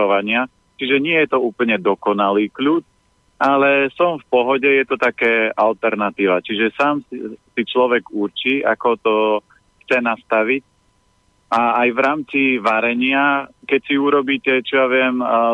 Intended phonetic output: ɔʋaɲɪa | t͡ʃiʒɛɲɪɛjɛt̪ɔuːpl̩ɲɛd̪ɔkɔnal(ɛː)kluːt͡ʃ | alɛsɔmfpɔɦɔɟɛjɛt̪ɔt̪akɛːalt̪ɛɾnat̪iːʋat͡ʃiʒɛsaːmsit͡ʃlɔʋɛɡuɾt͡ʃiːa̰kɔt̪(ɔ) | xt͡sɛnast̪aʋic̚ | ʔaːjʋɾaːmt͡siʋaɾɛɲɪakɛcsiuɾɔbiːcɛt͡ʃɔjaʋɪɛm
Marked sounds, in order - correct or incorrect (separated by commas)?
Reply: incorrect, correct